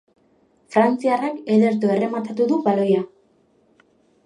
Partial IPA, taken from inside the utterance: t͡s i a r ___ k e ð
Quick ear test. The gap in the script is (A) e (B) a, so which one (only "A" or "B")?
B